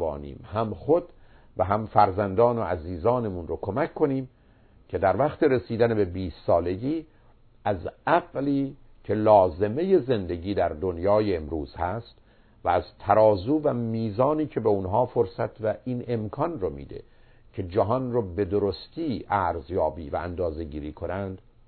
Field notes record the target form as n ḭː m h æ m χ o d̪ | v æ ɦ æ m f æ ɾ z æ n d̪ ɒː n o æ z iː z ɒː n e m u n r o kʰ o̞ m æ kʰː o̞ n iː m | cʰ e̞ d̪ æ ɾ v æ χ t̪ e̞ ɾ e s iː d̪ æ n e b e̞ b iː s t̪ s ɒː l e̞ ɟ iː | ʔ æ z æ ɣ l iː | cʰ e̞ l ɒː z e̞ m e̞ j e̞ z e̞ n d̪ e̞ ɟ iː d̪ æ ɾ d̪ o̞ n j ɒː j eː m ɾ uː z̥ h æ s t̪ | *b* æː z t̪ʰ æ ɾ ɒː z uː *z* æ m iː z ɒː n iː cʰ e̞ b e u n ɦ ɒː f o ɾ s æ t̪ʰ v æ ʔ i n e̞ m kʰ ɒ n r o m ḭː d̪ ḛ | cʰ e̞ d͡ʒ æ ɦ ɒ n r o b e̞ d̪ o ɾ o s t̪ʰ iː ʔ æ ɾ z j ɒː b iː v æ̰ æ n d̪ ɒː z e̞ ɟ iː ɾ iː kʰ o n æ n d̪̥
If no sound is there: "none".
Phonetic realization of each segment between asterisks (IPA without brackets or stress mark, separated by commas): v, v